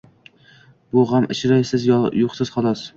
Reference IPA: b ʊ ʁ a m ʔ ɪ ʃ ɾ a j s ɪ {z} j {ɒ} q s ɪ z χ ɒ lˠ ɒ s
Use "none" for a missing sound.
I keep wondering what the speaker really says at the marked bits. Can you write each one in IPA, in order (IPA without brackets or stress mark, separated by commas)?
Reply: z, o